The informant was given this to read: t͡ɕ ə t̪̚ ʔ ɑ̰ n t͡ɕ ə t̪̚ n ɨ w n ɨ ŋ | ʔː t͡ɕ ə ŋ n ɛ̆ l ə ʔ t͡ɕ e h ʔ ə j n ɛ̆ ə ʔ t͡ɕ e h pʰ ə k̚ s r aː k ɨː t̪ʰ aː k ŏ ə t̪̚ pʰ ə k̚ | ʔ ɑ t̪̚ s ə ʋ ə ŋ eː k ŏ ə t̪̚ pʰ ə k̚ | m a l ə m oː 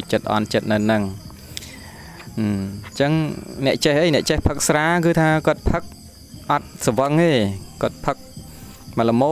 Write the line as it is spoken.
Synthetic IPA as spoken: t͡ɕ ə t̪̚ ʔ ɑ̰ n t͡ɕ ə t̪̚ n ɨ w n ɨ ŋ | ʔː t͡ɕ ə ŋ n ɛ̆ ə ʔ t͡ɕ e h ʔ ə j n ɛ̆ ə ʔ t͡ɕ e h pʰ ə k̚ s r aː k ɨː t̪ʰ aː k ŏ ə t̪̚ pʰ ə k̚ | ʔ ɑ t̪̚ s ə ʋ ə ŋ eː k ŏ ə t̪̚ pʰ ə k̚ | m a l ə m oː